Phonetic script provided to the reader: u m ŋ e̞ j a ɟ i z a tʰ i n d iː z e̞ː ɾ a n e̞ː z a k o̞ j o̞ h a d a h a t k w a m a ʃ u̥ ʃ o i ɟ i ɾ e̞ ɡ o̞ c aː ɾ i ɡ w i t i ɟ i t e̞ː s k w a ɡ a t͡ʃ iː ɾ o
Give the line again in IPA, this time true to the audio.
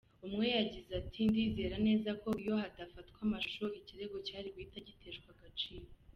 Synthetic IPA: u m ŋ e̞ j a ɟ i z a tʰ i n d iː z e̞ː ɾ a n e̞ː z a k o̞ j o̞ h a d a f a t k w a m a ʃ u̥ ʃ o i c i ɾ e̞ ɡ o̞ c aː ɾ i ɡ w i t a ɟ i t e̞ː ʃ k w a ɡ a t͡ʃ iː ɾ o